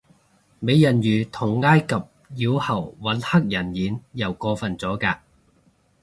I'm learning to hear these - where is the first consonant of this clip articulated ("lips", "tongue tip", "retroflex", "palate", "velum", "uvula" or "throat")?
lips